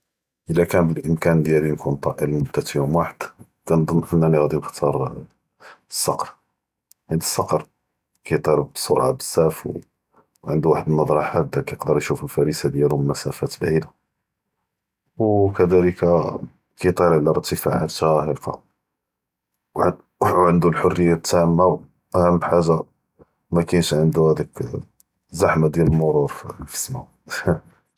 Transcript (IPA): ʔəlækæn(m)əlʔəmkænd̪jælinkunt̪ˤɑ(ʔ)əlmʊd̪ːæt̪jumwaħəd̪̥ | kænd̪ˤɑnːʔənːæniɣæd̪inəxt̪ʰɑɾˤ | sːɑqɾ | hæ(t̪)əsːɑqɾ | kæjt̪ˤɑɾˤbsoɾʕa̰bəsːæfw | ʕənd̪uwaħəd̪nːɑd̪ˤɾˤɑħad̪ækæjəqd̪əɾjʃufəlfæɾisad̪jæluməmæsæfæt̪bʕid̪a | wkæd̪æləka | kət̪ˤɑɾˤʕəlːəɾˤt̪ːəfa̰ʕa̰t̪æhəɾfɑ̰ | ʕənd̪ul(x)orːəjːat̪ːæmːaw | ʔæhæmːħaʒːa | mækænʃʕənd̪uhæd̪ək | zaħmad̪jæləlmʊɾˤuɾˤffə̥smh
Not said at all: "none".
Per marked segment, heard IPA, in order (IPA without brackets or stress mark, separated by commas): b, ʔ, d̪, ħ